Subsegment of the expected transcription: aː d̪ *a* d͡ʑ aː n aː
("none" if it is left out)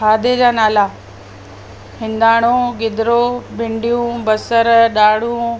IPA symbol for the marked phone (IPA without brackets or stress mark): e